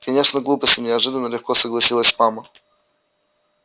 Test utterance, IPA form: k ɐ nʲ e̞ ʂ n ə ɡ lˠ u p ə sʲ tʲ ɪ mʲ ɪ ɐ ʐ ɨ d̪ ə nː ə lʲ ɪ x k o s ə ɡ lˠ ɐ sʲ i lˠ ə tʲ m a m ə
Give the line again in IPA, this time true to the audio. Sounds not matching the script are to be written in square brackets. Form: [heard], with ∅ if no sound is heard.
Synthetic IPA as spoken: k ɐ nʲ e̞ ʂ n ə ɡ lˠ u p ə sʲ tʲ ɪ [nʲ] ɪ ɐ ʐ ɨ d̪ ə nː ə lʲ ɪ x k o s ə ɡ lˠ ɐ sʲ i lˠ ə [sʲ] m a m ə